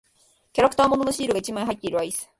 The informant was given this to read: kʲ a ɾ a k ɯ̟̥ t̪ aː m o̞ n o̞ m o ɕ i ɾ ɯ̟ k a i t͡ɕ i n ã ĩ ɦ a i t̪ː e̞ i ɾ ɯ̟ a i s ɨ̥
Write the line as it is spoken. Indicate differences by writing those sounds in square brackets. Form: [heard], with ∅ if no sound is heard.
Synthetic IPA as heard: kʲ a ɾ a k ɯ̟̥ t̪ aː m o̞ n o̞ [n] o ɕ [iː] ɾ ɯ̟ [ɡ] a i t͡ɕ i [m] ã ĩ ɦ a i t̪ː e̞ i ɾ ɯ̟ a i s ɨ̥